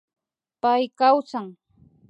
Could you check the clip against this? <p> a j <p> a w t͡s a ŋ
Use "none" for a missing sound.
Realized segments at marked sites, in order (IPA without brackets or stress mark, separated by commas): p, k